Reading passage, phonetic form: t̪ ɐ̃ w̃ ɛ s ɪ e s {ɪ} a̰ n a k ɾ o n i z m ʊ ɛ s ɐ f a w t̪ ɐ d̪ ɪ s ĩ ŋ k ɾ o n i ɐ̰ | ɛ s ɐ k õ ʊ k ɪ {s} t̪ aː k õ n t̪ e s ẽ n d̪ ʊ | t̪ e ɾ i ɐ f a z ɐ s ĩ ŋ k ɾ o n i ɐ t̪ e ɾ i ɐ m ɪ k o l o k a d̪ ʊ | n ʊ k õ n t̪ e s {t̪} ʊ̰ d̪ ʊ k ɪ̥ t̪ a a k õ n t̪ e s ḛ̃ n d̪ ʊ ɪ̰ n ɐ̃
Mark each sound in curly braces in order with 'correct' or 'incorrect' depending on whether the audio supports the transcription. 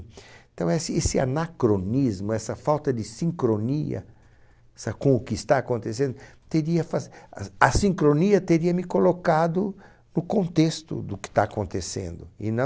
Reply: correct, correct, correct

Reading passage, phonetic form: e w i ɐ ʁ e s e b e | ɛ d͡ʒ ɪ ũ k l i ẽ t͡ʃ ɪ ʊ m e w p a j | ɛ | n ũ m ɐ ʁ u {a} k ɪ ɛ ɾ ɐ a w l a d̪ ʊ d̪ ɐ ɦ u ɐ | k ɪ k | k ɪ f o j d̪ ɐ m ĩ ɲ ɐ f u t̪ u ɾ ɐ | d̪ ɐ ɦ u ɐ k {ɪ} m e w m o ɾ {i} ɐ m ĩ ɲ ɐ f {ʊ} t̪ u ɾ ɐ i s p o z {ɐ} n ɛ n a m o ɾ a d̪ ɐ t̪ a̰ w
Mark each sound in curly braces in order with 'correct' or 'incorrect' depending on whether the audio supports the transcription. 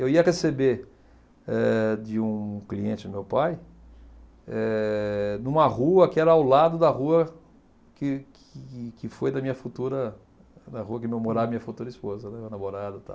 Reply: incorrect: ɐ, correct, incorrect: a, incorrect: u, correct

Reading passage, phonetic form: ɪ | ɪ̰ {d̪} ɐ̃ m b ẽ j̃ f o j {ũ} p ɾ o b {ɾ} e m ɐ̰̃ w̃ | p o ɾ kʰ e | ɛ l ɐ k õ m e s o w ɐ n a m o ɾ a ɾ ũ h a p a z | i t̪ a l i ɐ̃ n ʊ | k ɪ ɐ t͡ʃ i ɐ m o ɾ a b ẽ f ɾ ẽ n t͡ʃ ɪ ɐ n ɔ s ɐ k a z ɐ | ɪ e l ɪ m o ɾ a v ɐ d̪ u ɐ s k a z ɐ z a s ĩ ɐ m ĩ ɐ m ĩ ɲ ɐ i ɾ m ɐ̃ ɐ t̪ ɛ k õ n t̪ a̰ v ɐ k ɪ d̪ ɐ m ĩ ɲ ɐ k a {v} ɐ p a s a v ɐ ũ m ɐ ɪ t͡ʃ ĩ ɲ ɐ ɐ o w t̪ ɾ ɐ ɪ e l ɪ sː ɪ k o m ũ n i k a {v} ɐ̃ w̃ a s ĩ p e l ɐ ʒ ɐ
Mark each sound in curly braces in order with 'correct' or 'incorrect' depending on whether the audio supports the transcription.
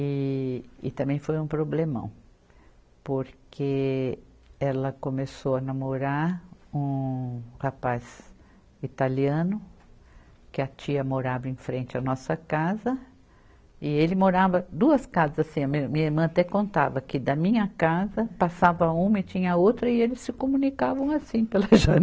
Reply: incorrect: t̪, correct, incorrect: l, incorrect: z, correct

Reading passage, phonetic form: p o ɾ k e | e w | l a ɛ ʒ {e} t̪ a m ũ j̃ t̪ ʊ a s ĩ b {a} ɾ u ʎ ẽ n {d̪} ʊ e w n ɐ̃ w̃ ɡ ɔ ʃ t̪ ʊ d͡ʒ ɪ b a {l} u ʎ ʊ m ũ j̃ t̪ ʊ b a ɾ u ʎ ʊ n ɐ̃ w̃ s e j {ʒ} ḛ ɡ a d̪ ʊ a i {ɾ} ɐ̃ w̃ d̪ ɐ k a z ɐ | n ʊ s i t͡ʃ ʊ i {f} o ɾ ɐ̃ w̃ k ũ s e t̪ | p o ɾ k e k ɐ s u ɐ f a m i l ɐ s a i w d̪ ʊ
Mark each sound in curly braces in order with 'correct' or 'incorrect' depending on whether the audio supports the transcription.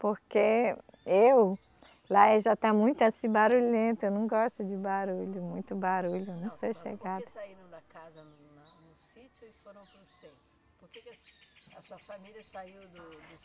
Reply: incorrect: a, correct, incorrect: t̪, incorrect: ɾ, incorrect: ʃ, correct, correct

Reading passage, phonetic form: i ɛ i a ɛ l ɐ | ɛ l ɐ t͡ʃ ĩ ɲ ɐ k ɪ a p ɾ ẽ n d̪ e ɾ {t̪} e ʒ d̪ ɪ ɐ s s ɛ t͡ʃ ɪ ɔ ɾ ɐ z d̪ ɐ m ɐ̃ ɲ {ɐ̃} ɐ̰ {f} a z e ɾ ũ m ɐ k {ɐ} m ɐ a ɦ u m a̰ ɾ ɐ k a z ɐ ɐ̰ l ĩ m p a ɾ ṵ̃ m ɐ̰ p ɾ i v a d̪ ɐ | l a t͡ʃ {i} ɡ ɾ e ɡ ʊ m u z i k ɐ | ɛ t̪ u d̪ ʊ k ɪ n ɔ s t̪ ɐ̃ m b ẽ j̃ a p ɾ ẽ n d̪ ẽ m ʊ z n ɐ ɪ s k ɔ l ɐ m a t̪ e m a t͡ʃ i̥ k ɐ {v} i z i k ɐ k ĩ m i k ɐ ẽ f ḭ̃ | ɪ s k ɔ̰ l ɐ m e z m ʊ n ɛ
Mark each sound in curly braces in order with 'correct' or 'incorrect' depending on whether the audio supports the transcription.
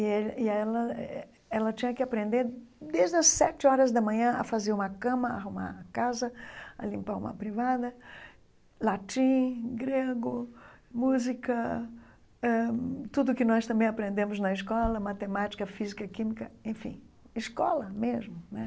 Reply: incorrect: d̪, correct, correct, incorrect: ɐ̃, incorrect: ĩ, incorrect: f

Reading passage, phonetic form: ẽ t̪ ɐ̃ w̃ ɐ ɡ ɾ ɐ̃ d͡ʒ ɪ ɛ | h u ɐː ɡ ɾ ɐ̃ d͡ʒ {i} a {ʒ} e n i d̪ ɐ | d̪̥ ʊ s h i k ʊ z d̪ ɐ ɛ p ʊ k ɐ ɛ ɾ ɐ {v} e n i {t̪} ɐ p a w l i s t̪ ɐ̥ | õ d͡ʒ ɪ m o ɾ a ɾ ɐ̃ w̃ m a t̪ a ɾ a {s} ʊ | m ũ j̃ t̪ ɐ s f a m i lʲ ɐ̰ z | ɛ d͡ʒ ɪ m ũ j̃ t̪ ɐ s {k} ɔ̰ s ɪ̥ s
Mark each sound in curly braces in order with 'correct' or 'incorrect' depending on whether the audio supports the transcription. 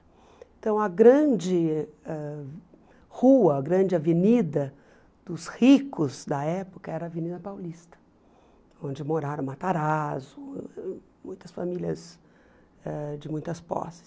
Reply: incorrect: ɪ, incorrect: v, correct, incorrect: d̪, incorrect: z, incorrect: p

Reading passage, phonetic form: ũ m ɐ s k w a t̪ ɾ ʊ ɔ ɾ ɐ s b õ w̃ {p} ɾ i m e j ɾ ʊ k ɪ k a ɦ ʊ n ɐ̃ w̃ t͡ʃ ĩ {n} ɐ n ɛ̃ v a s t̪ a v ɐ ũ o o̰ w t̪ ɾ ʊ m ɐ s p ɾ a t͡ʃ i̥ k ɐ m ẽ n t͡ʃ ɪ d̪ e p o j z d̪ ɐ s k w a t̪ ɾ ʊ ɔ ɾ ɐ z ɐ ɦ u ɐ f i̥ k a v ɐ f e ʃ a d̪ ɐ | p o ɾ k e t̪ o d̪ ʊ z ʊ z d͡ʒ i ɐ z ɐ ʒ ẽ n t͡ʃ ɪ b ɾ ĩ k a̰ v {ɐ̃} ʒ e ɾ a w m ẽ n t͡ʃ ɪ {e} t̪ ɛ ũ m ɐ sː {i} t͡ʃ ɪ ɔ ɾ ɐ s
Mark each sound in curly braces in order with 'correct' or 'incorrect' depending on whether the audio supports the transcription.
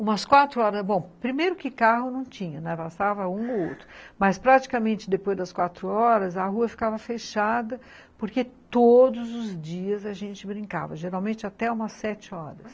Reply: correct, incorrect: ɲ, incorrect: ɐ, incorrect: a, incorrect: ɛ

